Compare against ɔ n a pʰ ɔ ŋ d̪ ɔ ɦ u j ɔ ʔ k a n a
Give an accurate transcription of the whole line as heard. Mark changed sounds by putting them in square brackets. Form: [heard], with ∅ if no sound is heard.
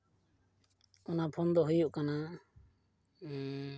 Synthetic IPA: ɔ n a pʰ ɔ [n] d̪ ɔ ɦ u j [u] ʔ k a n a